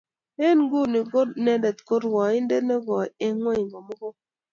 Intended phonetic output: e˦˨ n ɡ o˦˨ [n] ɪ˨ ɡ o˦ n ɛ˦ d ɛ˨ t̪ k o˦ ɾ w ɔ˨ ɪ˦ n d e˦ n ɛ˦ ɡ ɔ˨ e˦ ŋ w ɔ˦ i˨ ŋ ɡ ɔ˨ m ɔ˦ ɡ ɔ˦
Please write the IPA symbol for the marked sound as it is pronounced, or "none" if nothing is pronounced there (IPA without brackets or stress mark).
n